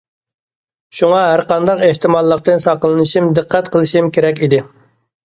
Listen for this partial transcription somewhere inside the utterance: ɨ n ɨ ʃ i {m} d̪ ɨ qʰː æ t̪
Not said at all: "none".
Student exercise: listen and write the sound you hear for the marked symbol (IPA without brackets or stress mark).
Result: m